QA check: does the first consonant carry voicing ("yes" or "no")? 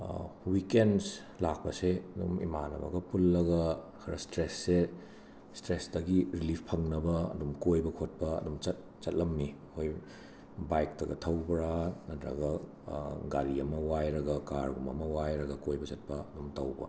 yes